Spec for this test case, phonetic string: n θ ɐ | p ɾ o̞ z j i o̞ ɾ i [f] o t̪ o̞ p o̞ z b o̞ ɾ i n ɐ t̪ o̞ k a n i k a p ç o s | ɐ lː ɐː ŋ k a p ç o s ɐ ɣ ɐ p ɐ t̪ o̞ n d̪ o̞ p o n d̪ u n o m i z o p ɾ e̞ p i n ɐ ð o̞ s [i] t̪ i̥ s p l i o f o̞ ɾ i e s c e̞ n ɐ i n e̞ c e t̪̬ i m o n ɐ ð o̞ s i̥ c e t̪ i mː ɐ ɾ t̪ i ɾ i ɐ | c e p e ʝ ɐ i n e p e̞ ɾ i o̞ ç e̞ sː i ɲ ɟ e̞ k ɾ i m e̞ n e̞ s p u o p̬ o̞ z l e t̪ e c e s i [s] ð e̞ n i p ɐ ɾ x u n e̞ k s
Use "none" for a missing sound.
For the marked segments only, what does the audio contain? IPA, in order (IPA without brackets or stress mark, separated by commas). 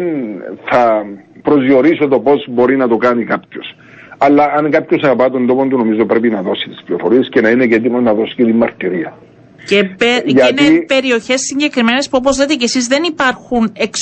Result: s, i, z